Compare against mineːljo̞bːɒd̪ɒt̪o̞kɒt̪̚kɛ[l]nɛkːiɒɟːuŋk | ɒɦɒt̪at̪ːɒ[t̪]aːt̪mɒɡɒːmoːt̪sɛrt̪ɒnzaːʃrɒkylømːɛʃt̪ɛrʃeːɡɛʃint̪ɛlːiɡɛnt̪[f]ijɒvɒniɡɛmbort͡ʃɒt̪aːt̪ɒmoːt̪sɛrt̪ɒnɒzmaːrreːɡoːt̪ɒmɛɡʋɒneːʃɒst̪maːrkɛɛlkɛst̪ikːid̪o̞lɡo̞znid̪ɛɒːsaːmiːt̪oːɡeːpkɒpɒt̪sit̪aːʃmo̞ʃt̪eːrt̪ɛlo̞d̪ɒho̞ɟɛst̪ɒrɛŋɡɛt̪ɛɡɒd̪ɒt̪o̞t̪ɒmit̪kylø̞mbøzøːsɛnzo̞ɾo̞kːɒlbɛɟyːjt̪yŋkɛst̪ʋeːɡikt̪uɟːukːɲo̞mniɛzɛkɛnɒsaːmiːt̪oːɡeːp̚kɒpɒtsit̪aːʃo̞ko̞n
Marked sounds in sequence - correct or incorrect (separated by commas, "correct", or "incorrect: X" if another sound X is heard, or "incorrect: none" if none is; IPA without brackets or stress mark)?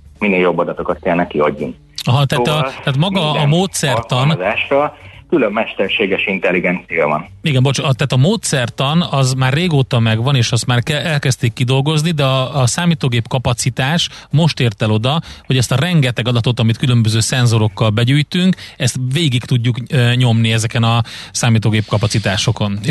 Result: correct, correct, incorrect: s